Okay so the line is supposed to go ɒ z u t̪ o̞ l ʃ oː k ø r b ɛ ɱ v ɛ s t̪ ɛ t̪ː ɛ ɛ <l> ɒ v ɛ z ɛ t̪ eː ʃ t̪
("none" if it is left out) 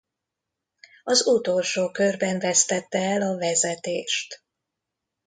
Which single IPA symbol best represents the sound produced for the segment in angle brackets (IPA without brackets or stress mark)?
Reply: l